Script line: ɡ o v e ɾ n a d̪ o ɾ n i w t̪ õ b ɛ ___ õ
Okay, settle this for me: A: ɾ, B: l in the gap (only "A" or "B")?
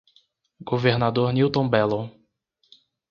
B